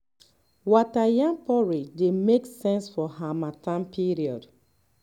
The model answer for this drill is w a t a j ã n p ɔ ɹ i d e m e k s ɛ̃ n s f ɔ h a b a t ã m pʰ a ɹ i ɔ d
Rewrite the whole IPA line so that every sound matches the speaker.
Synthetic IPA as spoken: w a t a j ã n p ɔ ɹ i d e m e k s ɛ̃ n s f ɔ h a m a t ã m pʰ i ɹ i ɔ d